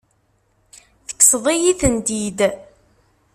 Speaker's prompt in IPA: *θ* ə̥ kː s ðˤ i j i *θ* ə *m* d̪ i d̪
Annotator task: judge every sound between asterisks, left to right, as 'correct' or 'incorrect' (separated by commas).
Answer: correct, correct, incorrect